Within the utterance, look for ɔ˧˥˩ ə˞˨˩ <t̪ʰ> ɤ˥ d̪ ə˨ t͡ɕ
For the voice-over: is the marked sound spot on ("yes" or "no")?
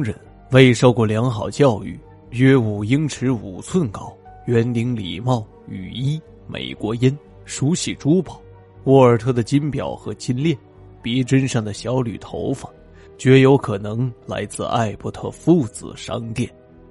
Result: yes